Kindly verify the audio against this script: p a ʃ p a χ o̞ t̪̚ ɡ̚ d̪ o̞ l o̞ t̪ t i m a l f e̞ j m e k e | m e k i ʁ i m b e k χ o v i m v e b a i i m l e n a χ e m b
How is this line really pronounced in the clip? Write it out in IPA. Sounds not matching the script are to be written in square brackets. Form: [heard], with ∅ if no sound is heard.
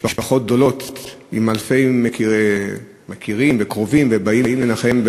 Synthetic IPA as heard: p a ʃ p a χ o̞ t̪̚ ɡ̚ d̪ o̞ l o̞ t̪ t i m a l f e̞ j m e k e | m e k i ʁ i m [v] e k [ʁ] o v i m v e b a i i m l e n a χ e m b

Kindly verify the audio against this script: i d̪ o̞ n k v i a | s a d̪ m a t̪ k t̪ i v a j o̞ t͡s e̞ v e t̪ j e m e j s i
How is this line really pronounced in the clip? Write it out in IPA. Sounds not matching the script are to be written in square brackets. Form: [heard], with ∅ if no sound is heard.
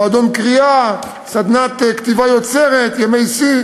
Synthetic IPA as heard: [a] d̪ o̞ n k [ʁ] i a | s a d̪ [n] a t̪ k t̪ i v a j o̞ t͡s e̞ [ʁ] e t̪ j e m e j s i

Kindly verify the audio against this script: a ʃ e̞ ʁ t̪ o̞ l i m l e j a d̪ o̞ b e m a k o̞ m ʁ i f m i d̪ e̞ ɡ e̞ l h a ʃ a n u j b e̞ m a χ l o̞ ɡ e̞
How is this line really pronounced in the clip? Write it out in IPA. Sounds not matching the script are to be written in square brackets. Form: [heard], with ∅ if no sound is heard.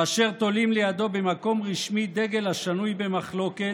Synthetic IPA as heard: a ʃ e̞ ʁ t̪ o̞ l i m l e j a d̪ o̞ b e m a k o̞ m ʁ i [ʃ] m i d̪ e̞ ɡ e̞ l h a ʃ a n u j b e̞ m a χ l o̞ [k] e̞

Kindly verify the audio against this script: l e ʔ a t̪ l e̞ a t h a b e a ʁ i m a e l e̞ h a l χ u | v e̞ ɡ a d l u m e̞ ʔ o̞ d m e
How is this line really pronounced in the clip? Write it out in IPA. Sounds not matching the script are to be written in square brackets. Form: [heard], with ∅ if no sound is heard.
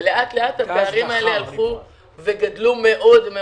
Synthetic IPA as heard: l e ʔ a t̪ l e̞ a t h a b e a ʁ i m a e l e̞ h a l χ u | v e̞ ɡ a d l u m e̞ ʔ o̞ d m e

